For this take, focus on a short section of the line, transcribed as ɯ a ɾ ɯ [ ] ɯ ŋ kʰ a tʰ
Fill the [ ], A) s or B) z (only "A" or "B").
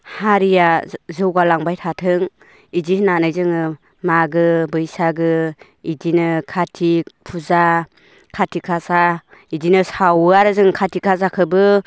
B